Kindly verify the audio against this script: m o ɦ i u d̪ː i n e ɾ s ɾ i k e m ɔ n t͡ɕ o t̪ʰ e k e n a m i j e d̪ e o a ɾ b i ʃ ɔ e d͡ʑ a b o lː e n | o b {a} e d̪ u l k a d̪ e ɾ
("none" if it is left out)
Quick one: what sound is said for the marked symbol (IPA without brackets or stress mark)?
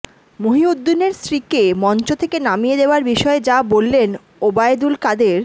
a